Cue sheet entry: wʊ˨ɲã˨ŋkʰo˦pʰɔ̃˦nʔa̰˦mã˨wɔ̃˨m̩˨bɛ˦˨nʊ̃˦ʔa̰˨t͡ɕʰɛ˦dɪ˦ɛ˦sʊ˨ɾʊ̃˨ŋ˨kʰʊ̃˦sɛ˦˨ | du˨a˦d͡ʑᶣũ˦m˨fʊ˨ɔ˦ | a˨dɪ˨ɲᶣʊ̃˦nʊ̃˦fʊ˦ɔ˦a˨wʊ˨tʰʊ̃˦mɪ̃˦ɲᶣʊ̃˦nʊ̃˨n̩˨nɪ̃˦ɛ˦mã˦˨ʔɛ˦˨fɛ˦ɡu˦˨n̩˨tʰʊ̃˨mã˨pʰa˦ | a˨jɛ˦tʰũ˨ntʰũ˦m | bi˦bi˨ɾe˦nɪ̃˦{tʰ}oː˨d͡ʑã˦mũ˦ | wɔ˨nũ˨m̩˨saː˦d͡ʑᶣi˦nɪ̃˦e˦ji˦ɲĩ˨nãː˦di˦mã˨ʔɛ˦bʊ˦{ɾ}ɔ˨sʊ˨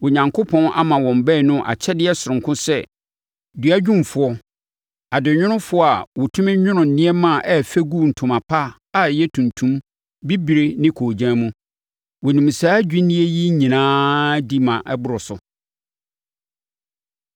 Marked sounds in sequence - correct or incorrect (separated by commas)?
incorrect, correct